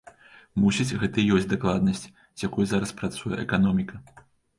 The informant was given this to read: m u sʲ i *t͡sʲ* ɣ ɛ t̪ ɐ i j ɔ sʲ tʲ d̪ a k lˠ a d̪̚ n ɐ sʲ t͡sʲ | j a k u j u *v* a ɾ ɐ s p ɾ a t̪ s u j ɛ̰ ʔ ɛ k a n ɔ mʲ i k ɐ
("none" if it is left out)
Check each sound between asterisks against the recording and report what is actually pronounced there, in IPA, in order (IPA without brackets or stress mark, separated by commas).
t͡sʲ, z